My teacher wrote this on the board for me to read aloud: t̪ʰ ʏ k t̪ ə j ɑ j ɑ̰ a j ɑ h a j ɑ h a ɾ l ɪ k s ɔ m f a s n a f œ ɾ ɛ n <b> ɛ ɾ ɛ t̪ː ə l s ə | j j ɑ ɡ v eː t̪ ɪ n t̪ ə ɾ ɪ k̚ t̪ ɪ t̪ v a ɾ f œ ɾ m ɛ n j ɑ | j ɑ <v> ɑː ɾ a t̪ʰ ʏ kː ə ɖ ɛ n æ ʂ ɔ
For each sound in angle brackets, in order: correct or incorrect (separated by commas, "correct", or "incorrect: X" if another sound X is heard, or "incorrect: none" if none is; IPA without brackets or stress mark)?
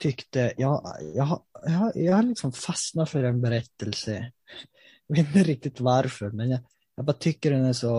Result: correct, incorrect: b